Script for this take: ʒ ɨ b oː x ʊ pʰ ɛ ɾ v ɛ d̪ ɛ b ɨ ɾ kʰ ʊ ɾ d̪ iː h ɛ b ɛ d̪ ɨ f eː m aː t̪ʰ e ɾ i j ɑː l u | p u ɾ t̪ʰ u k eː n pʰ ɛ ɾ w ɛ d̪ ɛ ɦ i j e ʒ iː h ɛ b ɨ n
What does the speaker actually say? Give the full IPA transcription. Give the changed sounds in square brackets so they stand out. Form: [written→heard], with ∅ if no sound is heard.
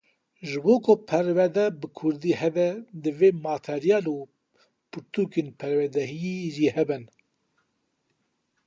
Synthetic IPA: ʒ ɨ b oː [x→k] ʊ pʰ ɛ ɾ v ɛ d̪ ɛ b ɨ [ɾ→∅] kʰ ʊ ɾ d̪ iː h ɛ b ɛ d̪ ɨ [f→v] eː m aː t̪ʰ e ɾ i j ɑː l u | p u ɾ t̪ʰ u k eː n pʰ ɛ ɾ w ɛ d̪ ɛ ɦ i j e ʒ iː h ɛ b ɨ n